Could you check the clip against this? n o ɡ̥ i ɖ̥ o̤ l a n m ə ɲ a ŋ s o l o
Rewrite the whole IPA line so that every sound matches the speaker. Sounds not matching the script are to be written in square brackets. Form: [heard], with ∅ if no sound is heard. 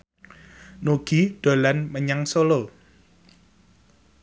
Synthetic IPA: n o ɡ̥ i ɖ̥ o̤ l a n m ə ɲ a ŋ s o l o